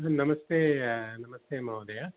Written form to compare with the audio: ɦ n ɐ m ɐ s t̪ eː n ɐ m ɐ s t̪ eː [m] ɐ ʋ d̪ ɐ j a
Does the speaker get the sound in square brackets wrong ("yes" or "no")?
no